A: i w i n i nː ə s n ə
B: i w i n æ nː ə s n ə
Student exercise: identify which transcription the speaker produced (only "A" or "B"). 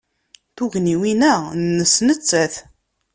B